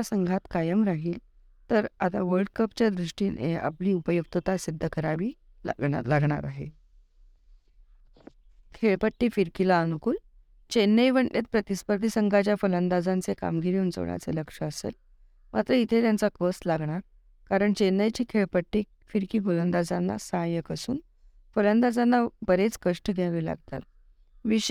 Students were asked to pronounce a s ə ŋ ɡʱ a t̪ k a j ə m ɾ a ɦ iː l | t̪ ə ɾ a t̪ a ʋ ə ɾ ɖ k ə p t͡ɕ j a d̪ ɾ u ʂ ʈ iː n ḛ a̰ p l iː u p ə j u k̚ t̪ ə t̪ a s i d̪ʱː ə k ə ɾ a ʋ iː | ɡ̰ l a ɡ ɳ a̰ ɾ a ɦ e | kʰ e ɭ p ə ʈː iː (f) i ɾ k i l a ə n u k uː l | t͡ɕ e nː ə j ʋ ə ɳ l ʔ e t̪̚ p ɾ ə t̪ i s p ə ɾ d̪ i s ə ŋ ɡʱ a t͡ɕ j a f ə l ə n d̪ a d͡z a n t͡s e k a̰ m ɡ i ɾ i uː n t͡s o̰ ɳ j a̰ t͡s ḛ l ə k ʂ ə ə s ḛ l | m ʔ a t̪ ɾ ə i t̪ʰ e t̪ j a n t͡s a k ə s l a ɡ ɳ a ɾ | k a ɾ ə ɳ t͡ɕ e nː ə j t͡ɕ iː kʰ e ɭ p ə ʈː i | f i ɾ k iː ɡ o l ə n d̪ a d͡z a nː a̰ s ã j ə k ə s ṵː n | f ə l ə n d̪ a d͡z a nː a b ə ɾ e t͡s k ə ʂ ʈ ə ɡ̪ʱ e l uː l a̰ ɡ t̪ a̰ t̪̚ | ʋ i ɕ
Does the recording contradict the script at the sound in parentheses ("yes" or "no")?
no